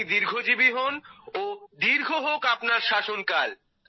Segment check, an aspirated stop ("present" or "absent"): absent